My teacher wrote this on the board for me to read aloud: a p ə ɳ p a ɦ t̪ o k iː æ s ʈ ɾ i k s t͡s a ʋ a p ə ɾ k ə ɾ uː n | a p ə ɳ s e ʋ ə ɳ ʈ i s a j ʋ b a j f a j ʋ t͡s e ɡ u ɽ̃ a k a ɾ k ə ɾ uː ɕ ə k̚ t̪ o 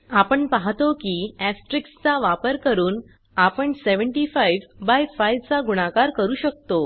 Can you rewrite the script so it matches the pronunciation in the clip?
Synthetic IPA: a p ə ɳ p a ɦ t̪ o k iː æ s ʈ ɾ i k s t͡s a ʋ a p ə ɾ k ə ɾ uː n | a p ə ɳ s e ʋ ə ɳ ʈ i f a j ʋ b a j f a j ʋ t͡s a ɡ u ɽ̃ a k a ɾ k ə ɾ uː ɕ ə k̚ t̪ o